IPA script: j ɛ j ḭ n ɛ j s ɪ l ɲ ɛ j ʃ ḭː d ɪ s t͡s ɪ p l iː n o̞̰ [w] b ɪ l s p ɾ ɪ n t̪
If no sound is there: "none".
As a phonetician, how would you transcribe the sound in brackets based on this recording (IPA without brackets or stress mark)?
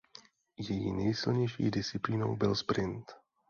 w